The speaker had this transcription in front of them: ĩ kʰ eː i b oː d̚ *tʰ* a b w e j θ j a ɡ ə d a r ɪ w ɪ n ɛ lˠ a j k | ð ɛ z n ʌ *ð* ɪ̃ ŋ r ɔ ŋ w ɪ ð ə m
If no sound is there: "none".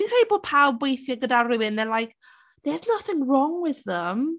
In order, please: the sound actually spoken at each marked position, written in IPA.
pʰ, θ

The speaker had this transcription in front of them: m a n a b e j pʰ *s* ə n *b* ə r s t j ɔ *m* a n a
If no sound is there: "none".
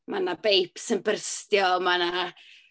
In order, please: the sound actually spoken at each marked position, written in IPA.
s, b, m

